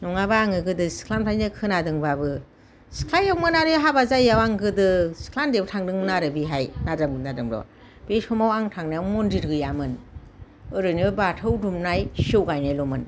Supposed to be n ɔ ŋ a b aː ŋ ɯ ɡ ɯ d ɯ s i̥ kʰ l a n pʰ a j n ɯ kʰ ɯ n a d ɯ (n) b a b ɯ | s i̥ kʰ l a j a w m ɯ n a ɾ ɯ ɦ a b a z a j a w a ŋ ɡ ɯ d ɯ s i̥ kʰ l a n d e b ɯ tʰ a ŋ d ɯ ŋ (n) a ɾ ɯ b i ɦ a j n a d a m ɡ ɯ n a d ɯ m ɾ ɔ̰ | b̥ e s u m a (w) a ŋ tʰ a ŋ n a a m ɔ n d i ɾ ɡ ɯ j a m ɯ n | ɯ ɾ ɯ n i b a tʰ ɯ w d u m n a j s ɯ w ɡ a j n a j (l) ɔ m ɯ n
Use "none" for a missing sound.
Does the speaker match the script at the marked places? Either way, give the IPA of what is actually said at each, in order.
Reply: ŋ, n, w, l

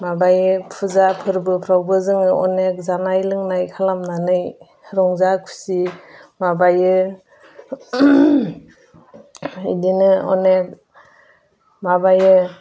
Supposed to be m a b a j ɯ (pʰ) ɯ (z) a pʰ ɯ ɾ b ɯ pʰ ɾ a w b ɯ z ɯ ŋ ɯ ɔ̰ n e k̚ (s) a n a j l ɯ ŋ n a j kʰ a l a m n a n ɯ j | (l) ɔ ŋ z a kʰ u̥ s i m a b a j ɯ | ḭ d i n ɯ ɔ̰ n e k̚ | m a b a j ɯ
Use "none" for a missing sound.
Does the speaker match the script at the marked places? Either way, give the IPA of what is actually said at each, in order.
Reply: pʰ, z, z, ɾ

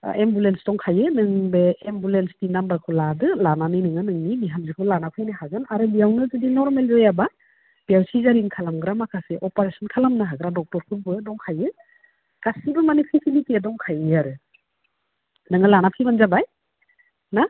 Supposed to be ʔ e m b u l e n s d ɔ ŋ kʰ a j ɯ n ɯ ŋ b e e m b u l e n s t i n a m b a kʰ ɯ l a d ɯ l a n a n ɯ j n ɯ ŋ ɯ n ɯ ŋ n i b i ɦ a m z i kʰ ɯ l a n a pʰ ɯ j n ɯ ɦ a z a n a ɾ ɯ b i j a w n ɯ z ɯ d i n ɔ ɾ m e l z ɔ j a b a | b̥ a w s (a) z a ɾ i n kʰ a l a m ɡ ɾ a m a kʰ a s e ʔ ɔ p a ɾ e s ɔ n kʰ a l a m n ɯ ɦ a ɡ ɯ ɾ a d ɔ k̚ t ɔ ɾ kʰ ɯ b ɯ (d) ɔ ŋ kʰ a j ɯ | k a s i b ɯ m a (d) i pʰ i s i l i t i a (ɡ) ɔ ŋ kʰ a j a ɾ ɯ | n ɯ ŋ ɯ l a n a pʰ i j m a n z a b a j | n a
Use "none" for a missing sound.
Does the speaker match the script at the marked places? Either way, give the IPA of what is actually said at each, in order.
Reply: i, d, n, d

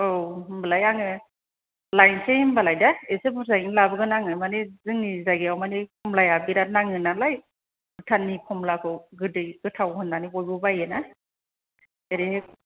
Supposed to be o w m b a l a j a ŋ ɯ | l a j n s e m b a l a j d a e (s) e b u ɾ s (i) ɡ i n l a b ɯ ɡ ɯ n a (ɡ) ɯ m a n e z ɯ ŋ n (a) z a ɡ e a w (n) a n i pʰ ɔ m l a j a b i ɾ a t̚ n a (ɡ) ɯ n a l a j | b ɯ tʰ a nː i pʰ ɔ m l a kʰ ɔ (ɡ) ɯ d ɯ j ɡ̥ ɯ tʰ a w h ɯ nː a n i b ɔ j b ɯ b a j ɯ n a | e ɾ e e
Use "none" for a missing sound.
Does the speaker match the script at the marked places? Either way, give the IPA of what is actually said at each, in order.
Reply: s, a, ŋ, i, m, ŋ, ɡ

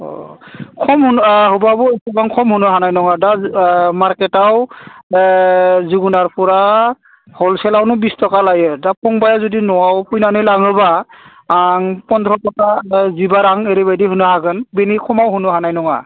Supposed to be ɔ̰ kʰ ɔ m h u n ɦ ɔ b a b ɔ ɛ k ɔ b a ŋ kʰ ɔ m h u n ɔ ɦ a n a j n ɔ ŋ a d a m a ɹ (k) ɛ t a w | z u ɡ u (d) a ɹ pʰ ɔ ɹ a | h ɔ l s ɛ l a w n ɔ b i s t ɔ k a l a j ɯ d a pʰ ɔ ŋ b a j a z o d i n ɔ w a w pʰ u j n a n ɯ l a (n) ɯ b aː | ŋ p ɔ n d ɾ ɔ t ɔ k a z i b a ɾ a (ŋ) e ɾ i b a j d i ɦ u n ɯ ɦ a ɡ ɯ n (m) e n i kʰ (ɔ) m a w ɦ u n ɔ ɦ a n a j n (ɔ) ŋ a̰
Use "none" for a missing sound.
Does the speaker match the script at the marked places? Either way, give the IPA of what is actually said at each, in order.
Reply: k, n, ŋ, ŋ, b, ɔ, ɔ

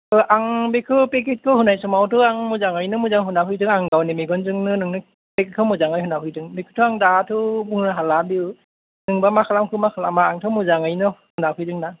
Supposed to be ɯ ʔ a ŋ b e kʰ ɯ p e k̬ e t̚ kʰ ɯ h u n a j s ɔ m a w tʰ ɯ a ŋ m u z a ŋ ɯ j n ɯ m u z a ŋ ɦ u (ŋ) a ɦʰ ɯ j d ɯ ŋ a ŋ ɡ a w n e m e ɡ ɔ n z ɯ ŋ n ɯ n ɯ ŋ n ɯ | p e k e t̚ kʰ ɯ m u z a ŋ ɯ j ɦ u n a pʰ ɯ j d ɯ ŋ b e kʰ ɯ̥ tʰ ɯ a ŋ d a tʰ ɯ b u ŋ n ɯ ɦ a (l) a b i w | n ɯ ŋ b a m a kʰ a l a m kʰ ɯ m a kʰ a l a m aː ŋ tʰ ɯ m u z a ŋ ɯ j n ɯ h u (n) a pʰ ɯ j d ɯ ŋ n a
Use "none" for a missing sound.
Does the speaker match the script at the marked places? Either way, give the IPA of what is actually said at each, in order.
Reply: n, l, n

